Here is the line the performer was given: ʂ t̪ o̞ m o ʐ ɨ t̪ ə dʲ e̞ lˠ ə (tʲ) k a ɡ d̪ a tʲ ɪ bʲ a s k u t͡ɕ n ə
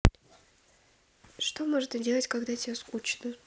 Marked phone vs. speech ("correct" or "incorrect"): correct